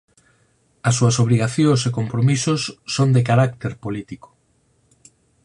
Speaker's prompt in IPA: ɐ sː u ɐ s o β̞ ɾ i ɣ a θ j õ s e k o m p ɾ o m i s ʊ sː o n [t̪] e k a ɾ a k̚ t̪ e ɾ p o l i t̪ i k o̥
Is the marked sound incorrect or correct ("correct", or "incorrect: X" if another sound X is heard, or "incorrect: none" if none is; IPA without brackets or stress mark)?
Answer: incorrect: d̪